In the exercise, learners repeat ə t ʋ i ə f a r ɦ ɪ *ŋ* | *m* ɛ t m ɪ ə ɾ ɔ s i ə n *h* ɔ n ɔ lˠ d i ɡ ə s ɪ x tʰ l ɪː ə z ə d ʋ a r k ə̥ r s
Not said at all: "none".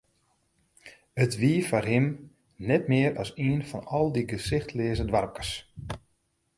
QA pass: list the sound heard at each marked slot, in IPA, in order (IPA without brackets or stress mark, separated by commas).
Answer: m, n, f